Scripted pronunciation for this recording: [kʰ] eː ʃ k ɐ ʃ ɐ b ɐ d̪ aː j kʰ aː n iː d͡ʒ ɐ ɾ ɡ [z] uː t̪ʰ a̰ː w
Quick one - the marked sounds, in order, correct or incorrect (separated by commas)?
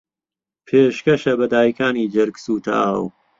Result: incorrect, incorrect